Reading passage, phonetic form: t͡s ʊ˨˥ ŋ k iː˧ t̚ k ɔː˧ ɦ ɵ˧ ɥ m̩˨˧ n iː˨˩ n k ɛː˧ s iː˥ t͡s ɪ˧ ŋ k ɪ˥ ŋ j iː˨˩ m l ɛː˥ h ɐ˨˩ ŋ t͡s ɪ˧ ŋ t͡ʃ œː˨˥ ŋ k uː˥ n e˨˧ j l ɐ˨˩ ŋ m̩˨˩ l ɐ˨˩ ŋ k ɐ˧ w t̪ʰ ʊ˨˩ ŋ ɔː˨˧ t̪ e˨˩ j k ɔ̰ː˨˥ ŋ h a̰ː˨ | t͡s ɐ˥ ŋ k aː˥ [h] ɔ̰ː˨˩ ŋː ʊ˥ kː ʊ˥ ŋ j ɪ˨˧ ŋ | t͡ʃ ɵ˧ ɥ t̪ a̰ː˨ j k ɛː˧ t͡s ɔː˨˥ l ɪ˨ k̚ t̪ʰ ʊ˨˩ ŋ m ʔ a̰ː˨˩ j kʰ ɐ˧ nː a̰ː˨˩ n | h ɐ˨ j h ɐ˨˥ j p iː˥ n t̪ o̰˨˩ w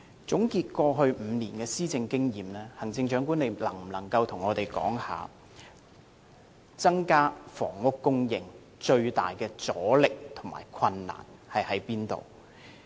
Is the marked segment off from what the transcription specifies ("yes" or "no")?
yes